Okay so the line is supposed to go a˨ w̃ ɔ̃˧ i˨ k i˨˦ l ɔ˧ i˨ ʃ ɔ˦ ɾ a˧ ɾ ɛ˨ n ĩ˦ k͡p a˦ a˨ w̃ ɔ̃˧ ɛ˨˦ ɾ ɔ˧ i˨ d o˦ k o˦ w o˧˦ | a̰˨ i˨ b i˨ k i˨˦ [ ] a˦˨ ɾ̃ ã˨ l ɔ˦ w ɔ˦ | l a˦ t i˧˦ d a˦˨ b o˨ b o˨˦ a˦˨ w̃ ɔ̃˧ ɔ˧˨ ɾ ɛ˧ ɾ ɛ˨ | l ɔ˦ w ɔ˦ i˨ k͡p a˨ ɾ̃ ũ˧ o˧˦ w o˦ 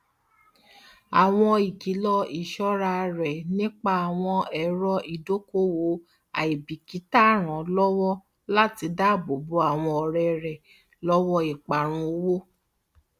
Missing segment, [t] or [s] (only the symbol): t